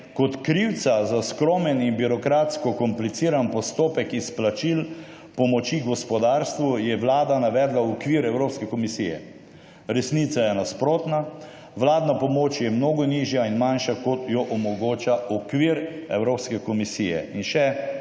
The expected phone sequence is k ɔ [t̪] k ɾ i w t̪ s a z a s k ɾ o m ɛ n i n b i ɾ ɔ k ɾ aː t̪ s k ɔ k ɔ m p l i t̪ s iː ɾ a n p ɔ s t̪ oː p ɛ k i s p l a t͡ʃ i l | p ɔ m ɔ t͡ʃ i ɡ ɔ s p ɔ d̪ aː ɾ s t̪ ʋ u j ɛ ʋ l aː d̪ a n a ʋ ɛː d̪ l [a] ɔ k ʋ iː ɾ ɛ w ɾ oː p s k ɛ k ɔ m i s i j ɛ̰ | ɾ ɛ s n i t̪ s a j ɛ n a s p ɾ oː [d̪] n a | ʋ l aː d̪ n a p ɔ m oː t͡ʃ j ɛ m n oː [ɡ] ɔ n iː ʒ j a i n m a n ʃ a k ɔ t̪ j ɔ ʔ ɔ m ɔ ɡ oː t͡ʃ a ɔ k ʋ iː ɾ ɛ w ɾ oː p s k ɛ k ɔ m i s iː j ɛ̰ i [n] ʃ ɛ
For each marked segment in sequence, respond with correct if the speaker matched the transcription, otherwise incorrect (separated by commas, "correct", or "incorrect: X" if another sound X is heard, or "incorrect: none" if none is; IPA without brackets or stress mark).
correct, correct, incorrect: t̪, correct, correct